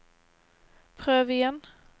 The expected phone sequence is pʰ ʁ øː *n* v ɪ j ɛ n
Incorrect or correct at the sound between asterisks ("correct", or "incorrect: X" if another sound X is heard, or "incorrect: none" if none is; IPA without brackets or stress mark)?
incorrect: none